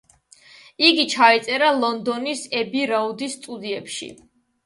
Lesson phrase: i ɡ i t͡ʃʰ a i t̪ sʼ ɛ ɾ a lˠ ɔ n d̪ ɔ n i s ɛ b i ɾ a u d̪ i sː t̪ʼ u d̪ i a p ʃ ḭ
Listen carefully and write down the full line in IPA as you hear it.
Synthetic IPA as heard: i ɡ i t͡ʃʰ a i t̪ sʼ ɛ ɾ a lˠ ɔ n d̪ ɔ n i s ɛ b i ɾ a u d̪ i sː t̪ʼ u d̪ i ɛ p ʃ ḭ